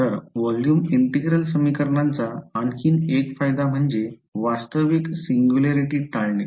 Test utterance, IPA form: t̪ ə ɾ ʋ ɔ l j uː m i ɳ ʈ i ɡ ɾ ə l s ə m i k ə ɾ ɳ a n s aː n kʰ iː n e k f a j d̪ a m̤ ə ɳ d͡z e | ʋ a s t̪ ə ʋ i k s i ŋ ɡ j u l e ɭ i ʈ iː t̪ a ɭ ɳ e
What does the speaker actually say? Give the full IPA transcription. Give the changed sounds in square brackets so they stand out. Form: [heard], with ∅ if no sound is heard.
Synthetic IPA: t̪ ə ɾ ʋ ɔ l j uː m i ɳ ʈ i ɡ ɾ ə l s ə m i k ə ɾ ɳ a n [t͡s] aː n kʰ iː n e k f a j d̪ a m̤ ə ɳ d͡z e | ʋ a s t̪ ə ʋ i k s i ŋ ɡ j u l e [ɾ] i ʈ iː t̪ a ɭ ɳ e